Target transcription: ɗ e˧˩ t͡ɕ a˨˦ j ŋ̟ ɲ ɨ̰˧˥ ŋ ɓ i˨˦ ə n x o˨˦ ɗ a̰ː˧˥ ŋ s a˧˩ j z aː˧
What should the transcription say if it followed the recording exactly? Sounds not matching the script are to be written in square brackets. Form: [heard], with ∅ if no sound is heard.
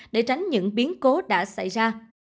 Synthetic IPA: ɗ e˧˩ t͡ɕ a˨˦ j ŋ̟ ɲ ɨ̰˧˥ ŋ ɓ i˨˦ ə n [k] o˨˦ ɗ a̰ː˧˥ [∅] s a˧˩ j z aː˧